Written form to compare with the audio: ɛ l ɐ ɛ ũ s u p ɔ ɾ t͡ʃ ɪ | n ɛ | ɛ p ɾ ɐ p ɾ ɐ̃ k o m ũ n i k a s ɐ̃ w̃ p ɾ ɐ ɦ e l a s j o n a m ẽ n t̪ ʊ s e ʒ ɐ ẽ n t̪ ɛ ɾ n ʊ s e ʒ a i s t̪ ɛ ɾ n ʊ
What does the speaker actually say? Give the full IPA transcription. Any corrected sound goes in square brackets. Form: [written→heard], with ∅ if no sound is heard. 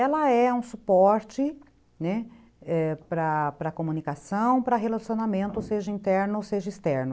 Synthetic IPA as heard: ɛ l ɐ ɛ ũ s u p ɔ ɾ t͡ʃ ɪ | n ɛ | ɛ p ɾ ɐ p ɾ [ɐ̃→ɐ] k o m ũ n i k a s ɐ̃ w̃ p ɾ ɐ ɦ e l a s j o n a m ẽ n t̪ ʊ s e ʒ ɐ [ẽ→ĩ] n t̪ ɛ ɾ n ʊ s e ʒ [a→ɐ] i s t̪ ɛ ɾ n ʊ